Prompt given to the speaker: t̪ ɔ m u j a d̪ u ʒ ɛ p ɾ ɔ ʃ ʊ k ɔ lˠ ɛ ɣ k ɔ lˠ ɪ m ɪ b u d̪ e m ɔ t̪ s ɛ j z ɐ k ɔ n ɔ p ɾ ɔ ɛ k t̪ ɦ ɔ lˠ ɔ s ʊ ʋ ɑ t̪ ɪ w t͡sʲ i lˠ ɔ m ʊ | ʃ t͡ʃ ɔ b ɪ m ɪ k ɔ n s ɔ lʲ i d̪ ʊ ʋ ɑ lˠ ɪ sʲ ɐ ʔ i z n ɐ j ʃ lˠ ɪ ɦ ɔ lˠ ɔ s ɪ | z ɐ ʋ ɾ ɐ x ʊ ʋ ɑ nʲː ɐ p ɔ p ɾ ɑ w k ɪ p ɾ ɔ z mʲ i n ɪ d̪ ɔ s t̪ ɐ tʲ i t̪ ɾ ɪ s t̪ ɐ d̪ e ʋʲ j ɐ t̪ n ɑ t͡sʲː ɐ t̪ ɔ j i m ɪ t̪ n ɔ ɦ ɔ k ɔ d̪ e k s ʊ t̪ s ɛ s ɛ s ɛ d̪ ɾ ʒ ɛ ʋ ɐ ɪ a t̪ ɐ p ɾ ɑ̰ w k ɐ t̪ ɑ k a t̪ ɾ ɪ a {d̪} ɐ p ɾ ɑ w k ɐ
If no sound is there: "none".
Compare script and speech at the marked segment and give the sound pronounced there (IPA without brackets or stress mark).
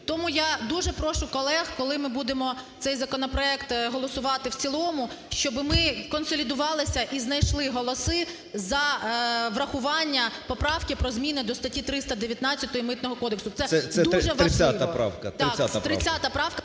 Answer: t̪